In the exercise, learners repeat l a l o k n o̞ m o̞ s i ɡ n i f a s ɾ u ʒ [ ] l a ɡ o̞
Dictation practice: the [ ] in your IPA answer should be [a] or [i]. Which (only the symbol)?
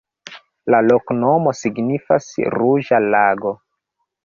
a